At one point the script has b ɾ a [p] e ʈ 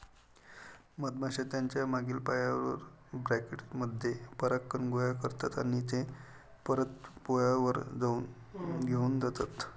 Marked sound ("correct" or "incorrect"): incorrect